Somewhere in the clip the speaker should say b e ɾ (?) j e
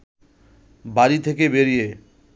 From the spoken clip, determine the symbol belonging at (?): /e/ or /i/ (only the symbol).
i